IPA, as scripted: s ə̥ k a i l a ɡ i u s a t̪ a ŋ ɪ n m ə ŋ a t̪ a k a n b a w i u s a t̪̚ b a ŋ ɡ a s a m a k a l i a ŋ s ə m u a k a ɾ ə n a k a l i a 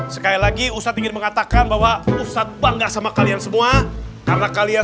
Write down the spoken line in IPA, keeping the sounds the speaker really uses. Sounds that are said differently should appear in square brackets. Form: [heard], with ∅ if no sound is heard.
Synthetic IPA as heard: s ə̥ k a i l a ɡ i u s a t̪ [i] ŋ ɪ n m ə ŋ a t̪ a k a n b a w [a] u s a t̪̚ b a ŋ ɡ a s a m a k a l i a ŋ s ə m u a k a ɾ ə n a k a l i a